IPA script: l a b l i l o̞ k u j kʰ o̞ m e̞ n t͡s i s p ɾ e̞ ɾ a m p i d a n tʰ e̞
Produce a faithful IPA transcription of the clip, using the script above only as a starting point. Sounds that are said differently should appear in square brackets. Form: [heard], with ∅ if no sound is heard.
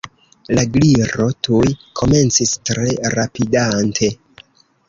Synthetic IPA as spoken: l a [ɡ] l i [ɾ] o̞ [t] u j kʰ o̞ m e̞ n t͡s i s [t] ɾ e̞ ɾ a [∅] p i d a n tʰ e̞